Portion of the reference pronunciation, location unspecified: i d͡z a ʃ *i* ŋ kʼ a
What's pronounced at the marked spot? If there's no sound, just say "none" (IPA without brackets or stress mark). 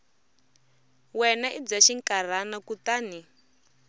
i